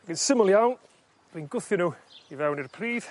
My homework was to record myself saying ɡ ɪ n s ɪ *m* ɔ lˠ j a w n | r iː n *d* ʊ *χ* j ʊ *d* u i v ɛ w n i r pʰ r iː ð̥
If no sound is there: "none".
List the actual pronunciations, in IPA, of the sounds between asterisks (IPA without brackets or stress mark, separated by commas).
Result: m, ɡ, θ, n